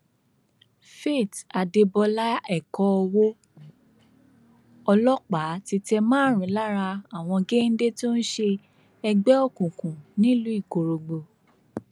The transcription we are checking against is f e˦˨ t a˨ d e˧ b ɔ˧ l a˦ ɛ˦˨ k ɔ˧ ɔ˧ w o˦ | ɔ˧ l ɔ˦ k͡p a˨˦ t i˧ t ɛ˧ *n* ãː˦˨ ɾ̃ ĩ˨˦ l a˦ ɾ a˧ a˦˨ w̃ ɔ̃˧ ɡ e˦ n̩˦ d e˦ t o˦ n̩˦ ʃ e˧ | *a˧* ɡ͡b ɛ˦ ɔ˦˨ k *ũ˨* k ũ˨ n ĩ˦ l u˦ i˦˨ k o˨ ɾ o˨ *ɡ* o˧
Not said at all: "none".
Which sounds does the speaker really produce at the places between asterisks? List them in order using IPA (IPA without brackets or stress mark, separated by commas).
m, ɛ˧, ũ˨, ɡ͡b